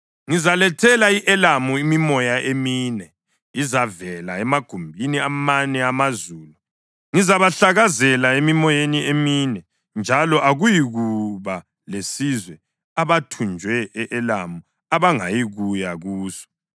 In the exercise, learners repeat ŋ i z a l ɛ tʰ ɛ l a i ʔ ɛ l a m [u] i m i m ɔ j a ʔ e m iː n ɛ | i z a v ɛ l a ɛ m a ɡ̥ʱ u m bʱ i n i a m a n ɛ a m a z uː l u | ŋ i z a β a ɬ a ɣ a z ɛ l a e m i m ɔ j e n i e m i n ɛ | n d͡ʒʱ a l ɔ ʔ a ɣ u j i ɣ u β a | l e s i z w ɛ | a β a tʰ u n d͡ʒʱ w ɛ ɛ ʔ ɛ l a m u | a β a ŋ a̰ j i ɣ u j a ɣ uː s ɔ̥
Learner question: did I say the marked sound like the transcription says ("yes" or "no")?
yes